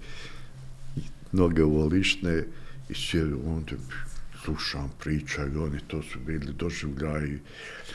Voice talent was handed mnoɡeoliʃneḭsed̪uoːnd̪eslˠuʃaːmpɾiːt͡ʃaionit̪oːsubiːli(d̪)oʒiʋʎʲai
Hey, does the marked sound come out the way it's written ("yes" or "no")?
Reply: yes